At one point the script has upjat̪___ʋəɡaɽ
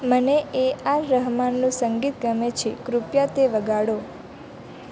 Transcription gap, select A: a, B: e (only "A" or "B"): B